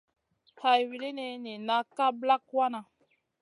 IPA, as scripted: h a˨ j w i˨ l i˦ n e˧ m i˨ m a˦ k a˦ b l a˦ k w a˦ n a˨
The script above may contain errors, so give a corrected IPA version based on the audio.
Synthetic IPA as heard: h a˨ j w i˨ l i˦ n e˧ n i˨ n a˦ k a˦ b l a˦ k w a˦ n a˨